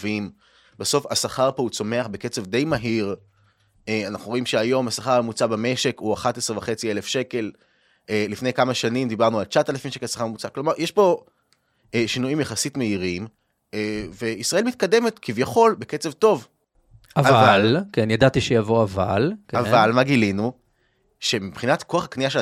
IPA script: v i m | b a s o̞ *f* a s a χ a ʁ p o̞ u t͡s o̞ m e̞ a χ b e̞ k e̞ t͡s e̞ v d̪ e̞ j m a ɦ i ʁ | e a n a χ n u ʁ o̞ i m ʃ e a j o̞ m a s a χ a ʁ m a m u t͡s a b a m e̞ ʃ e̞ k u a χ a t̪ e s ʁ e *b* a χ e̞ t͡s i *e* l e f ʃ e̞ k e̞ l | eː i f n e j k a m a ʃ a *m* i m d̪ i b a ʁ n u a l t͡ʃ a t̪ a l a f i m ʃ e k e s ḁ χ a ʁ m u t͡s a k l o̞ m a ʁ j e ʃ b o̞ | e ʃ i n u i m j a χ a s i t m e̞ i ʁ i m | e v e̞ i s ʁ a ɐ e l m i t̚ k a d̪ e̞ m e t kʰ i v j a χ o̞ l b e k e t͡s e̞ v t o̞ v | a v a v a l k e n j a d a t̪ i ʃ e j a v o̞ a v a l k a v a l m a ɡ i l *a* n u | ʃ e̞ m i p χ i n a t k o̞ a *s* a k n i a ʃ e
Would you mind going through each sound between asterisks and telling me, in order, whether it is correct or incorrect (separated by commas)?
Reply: correct, incorrect, correct, incorrect, incorrect, incorrect